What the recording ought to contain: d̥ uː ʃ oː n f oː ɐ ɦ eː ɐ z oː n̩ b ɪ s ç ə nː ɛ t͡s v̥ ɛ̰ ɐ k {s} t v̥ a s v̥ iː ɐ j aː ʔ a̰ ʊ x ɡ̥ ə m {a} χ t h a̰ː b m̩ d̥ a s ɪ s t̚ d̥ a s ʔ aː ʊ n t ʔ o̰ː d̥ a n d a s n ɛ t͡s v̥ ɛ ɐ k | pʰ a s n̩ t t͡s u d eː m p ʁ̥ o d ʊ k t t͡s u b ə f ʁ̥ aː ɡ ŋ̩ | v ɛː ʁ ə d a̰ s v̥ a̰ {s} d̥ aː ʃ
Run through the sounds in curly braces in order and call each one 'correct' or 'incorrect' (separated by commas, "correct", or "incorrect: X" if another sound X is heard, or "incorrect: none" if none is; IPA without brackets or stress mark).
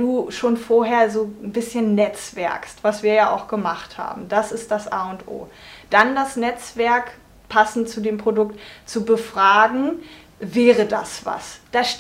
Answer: correct, correct, correct